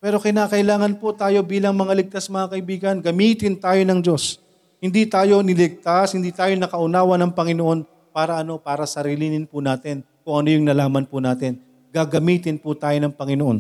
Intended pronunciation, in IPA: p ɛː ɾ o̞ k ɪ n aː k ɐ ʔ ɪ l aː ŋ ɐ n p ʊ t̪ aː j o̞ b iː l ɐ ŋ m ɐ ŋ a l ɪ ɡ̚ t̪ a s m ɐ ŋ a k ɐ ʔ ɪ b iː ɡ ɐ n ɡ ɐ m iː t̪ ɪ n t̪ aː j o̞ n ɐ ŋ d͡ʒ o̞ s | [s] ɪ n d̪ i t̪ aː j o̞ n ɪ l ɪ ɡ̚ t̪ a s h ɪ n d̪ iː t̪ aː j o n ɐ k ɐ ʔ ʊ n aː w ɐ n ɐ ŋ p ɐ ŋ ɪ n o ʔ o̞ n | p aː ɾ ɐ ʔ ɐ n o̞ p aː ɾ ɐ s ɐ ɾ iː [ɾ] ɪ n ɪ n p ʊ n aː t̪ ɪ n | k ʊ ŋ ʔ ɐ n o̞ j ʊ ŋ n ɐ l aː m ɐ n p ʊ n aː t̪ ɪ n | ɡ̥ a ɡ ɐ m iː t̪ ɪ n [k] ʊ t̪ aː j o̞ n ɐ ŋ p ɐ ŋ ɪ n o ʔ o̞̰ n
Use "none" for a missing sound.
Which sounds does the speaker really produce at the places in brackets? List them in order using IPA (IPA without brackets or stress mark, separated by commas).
h, l, p